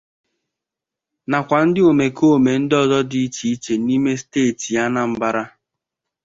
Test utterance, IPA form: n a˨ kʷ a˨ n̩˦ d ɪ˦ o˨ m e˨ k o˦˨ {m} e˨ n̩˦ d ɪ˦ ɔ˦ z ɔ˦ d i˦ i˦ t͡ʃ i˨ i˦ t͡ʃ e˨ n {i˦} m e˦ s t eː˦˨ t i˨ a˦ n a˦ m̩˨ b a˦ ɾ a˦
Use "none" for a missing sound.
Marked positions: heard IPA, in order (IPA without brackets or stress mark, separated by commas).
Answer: m, i˦